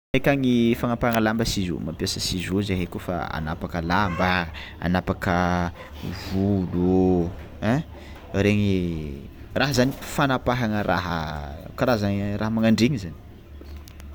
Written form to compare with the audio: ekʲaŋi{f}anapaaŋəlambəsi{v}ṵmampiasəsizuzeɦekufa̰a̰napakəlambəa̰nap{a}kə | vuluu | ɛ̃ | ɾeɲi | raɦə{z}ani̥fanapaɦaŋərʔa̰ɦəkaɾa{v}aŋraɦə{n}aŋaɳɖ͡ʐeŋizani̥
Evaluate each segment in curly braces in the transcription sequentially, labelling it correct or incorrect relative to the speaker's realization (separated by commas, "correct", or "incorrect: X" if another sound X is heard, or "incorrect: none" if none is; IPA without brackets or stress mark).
correct, incorrect: z, correct, correct, incorrect: z, incorrect: m